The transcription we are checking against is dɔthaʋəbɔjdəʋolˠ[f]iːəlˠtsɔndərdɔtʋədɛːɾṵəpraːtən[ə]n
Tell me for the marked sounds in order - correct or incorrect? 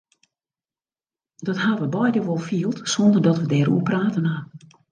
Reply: correct, incorrect

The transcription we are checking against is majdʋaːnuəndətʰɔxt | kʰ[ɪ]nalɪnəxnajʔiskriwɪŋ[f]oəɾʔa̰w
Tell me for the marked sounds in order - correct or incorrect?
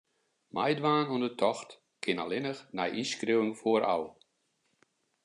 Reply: correct, correct

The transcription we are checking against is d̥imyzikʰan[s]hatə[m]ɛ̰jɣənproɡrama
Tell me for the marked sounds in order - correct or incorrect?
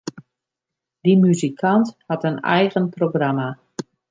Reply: incorrect, incorrect

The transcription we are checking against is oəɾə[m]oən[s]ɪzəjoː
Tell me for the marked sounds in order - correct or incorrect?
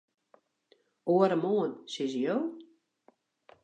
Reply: correct, correct

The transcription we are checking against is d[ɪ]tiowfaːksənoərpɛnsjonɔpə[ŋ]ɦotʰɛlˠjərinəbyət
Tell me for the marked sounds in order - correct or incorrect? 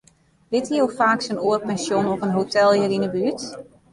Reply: correct, incorrect

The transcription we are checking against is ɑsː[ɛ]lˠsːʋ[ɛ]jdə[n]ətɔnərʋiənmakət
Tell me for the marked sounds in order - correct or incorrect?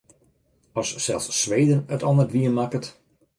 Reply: correct, incorrect, correct

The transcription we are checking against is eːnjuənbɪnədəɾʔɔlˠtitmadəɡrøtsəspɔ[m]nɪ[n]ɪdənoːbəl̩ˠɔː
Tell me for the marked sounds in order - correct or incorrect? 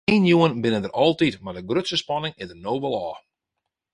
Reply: incorrect, incorrect

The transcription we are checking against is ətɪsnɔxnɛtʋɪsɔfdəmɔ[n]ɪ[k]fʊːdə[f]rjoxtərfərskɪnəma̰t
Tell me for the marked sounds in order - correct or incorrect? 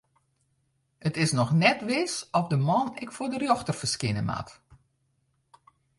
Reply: correct, correct, incorrect

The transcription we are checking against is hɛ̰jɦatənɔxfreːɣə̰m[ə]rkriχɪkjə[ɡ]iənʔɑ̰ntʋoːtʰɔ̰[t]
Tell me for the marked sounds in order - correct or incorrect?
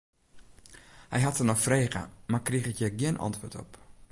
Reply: incorrect, correct, incorrect

